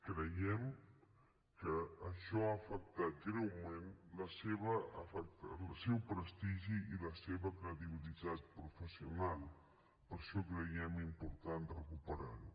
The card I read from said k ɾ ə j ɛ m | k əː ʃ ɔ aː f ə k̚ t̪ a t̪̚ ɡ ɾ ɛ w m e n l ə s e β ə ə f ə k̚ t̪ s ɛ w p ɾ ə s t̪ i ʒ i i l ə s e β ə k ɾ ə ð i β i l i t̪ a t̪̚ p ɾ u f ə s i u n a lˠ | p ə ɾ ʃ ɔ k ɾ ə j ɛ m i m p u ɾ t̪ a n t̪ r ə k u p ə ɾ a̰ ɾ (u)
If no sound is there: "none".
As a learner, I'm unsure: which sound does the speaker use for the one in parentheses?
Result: u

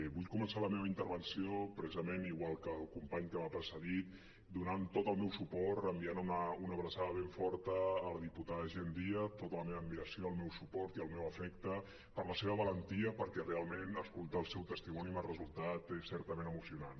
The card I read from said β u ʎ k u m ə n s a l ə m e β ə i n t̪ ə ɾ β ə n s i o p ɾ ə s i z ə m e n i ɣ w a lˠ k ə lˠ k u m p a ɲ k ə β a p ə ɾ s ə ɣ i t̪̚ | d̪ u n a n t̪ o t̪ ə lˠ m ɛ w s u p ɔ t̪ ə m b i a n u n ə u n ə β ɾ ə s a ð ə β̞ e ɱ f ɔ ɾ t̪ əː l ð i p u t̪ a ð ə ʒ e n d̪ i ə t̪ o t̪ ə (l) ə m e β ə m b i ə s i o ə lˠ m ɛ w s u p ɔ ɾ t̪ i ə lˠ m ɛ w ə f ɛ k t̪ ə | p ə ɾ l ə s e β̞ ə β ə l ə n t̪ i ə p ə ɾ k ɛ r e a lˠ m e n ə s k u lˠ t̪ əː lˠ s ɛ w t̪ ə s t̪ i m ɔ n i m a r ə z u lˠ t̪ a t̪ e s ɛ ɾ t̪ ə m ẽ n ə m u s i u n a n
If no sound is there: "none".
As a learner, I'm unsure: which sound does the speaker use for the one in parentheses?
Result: l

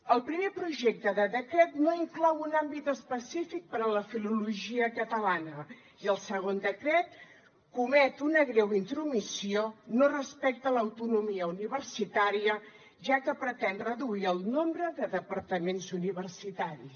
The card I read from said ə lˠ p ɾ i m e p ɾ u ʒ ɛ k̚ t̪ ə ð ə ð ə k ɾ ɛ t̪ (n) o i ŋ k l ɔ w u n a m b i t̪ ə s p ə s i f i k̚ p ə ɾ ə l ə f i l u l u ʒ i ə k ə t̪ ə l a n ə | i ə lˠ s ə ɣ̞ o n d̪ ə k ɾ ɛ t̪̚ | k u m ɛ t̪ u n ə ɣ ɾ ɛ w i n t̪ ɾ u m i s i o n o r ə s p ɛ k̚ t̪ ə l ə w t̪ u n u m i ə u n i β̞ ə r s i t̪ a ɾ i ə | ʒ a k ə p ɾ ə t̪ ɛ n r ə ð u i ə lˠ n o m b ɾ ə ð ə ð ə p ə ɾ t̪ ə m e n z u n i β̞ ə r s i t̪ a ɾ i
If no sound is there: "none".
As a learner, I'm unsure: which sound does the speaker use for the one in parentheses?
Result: n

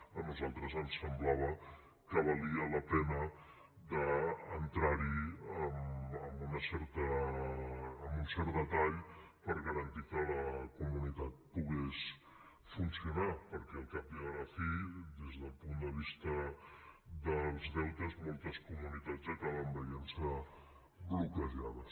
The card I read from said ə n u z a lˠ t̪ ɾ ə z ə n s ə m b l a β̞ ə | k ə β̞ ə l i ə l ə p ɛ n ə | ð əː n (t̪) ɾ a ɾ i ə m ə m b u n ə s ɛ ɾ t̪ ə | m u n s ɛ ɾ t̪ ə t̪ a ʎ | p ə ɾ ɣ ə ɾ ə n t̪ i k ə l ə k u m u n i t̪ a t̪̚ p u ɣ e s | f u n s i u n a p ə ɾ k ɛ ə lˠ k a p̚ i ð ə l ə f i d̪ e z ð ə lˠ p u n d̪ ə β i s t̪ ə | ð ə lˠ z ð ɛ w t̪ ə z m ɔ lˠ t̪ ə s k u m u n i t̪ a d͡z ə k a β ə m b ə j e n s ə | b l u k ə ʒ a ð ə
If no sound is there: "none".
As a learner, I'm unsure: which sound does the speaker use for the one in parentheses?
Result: t̪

